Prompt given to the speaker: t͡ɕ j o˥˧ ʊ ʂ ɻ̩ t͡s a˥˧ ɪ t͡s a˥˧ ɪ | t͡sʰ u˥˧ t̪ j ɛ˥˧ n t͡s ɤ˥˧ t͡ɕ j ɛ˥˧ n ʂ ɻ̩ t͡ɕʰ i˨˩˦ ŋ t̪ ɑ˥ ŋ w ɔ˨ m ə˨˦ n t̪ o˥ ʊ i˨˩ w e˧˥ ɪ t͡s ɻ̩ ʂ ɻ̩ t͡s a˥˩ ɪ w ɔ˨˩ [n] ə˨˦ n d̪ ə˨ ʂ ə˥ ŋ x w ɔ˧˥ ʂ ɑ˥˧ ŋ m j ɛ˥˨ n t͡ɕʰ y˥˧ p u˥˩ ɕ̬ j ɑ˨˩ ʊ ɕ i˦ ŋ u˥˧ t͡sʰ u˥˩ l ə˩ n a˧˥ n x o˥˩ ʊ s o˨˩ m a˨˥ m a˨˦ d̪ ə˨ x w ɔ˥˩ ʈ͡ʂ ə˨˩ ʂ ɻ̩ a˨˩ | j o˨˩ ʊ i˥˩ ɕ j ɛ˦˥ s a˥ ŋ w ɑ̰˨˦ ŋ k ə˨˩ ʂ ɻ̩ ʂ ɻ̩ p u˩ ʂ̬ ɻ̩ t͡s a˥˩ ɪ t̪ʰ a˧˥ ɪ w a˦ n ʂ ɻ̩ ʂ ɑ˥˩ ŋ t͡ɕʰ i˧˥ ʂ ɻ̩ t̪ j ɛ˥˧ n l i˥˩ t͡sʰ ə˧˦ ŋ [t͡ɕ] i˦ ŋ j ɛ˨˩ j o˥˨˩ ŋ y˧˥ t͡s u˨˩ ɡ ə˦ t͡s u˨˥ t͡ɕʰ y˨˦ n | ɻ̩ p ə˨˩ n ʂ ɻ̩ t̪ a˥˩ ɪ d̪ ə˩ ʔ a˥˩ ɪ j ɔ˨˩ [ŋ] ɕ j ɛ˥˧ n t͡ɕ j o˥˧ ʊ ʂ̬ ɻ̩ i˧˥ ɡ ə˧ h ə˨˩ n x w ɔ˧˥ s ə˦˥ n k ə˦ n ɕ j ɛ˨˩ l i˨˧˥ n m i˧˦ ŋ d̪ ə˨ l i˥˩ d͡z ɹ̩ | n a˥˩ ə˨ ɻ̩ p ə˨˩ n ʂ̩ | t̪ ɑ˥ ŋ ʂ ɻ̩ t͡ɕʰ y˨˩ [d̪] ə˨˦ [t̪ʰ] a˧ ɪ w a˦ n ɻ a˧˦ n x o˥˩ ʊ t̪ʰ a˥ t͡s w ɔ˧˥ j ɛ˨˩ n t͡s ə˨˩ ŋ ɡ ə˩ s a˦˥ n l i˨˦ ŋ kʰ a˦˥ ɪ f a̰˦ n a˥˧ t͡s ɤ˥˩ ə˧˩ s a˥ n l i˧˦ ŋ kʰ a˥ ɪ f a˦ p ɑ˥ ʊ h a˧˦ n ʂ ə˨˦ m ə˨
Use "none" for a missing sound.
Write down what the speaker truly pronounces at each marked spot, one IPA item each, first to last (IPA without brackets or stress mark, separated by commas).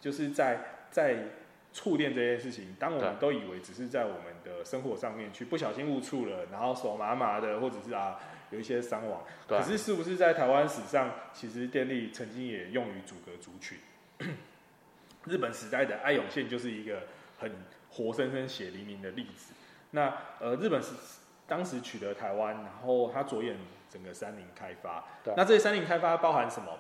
m, t͡ɕ, ŋ, t̪, t̪ʰ